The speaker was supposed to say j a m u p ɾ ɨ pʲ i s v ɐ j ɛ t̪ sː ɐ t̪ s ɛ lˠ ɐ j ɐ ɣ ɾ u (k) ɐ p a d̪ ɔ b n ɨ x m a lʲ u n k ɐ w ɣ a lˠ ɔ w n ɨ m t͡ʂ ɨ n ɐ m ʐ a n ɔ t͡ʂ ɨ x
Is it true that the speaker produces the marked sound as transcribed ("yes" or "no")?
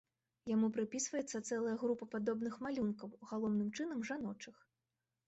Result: no